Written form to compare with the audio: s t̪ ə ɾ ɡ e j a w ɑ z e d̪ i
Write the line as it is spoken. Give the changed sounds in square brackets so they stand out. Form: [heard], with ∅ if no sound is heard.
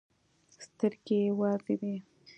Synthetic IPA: s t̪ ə ɾ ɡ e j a w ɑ z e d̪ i